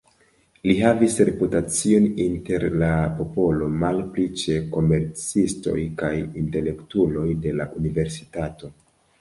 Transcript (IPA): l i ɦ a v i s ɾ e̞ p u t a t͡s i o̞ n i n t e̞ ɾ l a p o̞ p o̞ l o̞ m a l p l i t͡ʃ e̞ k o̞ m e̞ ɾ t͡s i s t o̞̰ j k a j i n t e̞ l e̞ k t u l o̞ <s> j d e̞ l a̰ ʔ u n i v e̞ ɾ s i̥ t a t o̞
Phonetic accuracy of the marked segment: incorrect: none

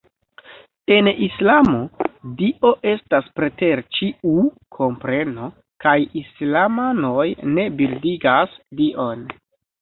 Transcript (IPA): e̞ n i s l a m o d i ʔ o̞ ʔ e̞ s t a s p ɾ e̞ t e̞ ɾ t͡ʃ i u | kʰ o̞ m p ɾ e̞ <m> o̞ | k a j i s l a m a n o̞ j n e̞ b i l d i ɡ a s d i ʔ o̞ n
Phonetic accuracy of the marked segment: incorrect: n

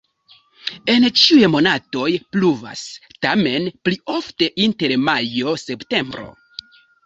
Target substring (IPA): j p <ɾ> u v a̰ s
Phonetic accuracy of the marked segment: incorrect: l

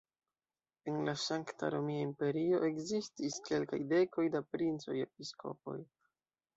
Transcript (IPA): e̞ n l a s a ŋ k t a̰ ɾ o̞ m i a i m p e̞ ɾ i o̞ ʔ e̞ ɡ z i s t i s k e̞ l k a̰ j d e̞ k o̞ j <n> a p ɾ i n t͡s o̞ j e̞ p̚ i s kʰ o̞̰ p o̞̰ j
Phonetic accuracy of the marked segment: incorrect: d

